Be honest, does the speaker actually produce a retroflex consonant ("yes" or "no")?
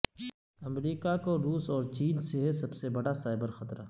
yes